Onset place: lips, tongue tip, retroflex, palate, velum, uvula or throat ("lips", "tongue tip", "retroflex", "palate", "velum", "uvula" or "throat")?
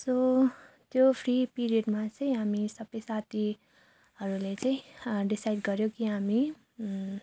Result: tongue tip